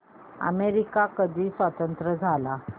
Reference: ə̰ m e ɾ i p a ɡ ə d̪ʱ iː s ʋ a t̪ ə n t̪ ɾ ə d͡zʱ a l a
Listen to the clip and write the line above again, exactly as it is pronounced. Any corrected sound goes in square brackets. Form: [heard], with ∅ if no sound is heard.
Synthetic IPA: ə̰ m e ɾ i [k] a [k] ə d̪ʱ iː s ʋ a t̪ ə n t̪ ɾ ə d͡zʱ a l a

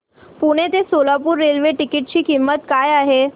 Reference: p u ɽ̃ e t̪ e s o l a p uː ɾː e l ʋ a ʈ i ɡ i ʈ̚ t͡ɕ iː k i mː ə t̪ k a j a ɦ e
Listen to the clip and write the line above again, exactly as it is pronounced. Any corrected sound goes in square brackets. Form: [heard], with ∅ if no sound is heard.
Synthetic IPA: p u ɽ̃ e t̪ e s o l a p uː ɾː e l ʋ [e] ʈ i [k] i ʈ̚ t͡ɕ iː k i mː ə t̪ k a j a ɦ e

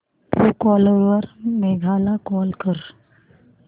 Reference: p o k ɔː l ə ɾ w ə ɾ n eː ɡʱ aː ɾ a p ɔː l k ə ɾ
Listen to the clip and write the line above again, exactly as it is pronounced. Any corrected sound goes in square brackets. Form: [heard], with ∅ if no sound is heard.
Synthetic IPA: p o k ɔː l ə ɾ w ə ɾ [m] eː ɡʱ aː [l] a [k] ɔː l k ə ɾ

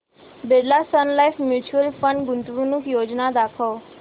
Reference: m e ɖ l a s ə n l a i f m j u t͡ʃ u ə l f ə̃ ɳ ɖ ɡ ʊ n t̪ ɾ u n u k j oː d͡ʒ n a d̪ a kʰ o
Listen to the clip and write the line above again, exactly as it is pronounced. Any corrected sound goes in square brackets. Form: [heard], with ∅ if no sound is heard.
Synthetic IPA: [b] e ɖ l a s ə n l a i f m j u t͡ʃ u ə l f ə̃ ɳ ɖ ɡ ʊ n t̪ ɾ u n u k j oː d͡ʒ n a d̪ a kʰ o

